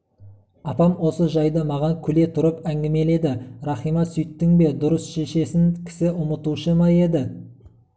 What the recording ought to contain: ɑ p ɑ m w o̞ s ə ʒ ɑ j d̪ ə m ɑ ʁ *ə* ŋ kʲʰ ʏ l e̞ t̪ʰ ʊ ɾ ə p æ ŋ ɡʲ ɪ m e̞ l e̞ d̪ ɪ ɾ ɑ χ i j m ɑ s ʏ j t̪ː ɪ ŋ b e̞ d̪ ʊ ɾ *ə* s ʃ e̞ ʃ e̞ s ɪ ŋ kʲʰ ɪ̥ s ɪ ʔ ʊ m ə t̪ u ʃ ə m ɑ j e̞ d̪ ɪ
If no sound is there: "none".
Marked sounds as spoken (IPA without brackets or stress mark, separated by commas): ɑ, ə